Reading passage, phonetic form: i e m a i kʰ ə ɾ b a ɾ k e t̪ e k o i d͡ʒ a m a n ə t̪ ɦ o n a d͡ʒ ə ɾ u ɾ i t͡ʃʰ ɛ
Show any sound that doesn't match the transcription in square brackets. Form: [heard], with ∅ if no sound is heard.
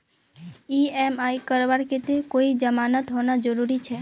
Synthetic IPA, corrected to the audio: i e m a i [k] ə ɾ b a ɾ k e t̪ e k o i d͡ʒ [ə] m a n ə t̪ ɦ o n a d͡ʒ ə ɾ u ɾ i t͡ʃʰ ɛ